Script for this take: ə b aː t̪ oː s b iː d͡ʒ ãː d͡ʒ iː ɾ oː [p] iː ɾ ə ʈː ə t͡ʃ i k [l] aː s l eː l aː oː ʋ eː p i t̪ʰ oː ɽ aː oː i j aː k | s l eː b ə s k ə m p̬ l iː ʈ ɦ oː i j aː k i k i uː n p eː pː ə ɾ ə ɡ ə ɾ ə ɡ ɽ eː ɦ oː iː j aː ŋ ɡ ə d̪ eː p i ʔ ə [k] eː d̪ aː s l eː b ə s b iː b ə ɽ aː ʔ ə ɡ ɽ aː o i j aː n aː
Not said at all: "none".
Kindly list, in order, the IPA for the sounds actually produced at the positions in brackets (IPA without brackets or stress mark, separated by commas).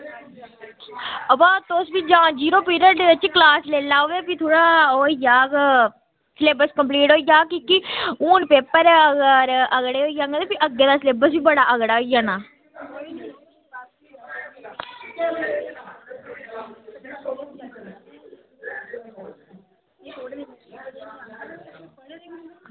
p, l, ɡ